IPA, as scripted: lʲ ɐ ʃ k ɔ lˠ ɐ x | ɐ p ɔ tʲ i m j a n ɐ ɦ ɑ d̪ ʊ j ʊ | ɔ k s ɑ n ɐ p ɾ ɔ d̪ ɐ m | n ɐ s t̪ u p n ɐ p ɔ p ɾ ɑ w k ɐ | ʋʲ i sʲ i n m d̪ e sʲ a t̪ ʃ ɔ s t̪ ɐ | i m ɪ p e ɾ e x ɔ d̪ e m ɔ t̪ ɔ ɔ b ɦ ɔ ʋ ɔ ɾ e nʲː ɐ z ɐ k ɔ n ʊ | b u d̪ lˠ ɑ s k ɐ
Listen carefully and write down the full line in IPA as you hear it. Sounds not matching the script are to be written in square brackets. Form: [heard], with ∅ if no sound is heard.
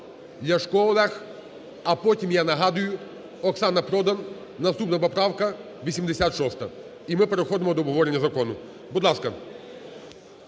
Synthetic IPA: lʲ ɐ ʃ k ɔ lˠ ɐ x | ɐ p ɔ tʲ i m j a n ɐ ɦ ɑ d̪ ʊ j ʊ | ɔ k s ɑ n ɐ p ɾ ɔ d̪ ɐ [n] | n ɐ s t̪ u p n ɐ p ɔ p ɾ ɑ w k ɐ | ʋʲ i sʲ i [∅] m d̪ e sʲ a t̪ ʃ ɔ s t̪ ɐ | i m ɪ p e ɾ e x ɔ d̪ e m ɔ [d̪] ɔ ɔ b ɦ ɔ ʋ ɔ ɾ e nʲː ɐ z ɐ k ɔ n ʊ | b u d̪ lˠ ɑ s k ɐ